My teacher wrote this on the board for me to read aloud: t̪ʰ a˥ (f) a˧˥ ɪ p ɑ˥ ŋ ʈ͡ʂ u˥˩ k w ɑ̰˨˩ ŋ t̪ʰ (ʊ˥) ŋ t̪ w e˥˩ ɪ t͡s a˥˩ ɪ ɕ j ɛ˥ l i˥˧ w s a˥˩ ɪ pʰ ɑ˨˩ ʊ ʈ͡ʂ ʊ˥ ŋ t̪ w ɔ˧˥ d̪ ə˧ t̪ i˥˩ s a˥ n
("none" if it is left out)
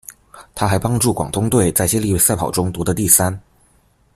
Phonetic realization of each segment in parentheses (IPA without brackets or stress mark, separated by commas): x, ʊ˥